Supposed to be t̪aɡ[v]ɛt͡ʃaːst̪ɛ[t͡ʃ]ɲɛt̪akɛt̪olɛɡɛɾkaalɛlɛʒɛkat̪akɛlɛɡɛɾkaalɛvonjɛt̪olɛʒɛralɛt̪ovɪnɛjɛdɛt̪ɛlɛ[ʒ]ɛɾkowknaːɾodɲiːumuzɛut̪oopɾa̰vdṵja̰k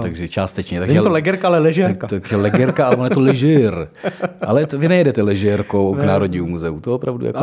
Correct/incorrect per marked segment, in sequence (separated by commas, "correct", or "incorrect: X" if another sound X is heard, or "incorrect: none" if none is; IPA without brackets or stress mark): incorrect: ʒ, correct, correct